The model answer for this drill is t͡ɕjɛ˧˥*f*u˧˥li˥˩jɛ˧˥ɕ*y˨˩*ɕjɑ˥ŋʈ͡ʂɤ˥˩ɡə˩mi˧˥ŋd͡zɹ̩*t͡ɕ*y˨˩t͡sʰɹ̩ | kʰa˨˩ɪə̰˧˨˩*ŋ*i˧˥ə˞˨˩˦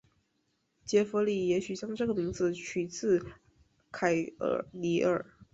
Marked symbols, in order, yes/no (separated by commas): yes, yes, no, no